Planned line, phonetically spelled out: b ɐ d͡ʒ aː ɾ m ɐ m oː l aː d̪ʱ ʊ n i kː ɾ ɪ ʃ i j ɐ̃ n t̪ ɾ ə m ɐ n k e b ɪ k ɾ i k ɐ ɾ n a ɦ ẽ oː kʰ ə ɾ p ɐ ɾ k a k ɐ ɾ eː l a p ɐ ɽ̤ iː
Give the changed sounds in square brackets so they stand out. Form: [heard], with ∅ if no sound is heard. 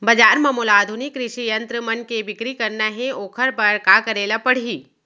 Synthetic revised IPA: b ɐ d͡ʒ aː ɾ m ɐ m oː l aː d̪ʱ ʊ n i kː ɾ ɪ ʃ i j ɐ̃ n t̪ ɾ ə m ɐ n k e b ɪ k ɾ i k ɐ ɾ n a ɦ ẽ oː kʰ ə ɾ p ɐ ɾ k a k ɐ ɾ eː l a p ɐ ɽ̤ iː